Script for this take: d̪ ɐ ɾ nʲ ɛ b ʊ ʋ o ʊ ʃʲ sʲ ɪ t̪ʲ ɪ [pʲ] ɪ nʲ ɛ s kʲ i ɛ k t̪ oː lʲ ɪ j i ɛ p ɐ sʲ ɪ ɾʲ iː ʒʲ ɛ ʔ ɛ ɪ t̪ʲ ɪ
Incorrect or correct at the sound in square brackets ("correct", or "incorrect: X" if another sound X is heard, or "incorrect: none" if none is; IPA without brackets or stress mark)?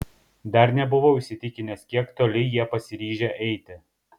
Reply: incorrect: kʲ